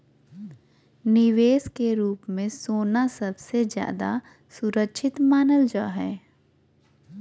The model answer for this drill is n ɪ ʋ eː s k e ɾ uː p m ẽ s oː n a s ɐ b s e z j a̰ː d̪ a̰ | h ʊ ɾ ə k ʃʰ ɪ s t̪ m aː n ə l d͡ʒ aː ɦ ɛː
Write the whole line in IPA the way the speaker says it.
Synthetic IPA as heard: n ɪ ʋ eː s k e ɾ uː p m ẽ s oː n a s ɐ b s e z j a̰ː d̪ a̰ | s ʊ ɾ ə k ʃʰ ɪ t̪ m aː n ə l d͡ʒ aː ɦ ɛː